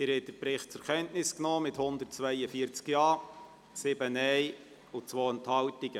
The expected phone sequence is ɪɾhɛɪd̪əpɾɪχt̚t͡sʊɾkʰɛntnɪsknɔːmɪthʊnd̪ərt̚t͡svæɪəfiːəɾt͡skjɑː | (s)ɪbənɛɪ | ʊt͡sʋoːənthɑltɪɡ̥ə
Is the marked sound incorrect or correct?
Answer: correct